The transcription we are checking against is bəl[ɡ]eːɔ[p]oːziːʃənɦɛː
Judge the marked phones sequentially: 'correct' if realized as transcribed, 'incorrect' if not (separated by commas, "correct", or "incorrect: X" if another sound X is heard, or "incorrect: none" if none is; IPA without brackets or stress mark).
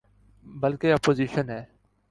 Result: incorrect: k, correct